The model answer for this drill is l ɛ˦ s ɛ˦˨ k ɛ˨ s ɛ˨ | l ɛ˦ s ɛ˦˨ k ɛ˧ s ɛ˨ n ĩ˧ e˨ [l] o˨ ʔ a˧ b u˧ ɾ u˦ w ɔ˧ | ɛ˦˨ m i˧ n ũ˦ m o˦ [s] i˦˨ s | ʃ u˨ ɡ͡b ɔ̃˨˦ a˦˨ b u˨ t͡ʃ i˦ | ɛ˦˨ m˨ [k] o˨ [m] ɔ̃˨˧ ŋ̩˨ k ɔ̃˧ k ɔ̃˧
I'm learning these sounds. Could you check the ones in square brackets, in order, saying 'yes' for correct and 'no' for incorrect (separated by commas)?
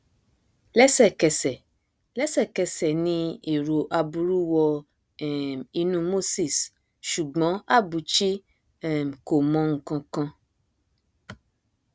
no, yes, yes, yes